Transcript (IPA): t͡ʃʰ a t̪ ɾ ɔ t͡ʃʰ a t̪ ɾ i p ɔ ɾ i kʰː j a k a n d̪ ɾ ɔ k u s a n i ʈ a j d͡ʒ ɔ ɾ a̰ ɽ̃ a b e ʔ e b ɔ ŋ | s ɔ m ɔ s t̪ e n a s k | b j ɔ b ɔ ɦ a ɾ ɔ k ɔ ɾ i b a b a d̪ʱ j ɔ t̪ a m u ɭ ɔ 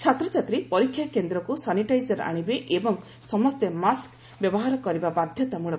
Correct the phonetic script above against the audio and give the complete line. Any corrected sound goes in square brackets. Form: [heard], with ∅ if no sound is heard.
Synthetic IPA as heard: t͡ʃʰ a t̪ ɾ ɔ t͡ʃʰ a t̪ ɾ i p ɔ ɾ i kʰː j a k [e] n d̪ ɾ ɔ k u s a n i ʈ a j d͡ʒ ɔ ɾ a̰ ɽ̃ [i] b e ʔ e b ɔ ŋ | s ɔ m ɔ s t̪ e [m] a s k | b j ɔ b ɔ ɦ a ɾ ɔ k ɔ ɾ i b a b a d̪ʱ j ɔ t̪ a m u ɭ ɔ